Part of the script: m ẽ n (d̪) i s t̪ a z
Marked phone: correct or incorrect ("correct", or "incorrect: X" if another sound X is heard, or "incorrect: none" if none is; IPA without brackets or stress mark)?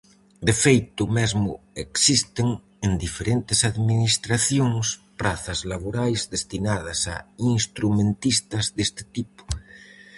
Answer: incorrect: t̪